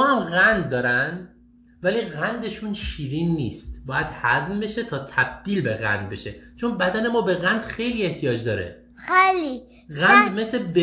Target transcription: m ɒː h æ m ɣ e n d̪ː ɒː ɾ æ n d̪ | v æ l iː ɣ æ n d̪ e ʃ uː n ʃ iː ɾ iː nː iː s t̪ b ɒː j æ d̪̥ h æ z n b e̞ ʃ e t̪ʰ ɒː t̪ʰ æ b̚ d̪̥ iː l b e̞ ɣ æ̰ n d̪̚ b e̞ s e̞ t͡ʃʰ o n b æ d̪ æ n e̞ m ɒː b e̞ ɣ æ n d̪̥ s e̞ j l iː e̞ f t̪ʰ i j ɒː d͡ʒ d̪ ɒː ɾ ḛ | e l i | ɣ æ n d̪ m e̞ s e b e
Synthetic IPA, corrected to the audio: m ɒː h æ m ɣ æ n d̪ː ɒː ɾ æ n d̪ | v æ l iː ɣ æ n d̪ e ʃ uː n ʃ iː ɾ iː nː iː s t̪ b ɒː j æ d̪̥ h æ z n b e̞ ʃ e t̪ʰ ɒː t̪ʰ æ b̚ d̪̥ iː l b e̞ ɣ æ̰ n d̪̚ b e̞ ʃ e̞ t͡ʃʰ o n b æ d̪ æ n e̞ m ɒː b e̞ ɣ æ n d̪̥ x e̞ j l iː e̞ h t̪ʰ i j ɒː d͡ʒ d̪ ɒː ɾ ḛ | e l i | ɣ æ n d̪ m e̞ s e b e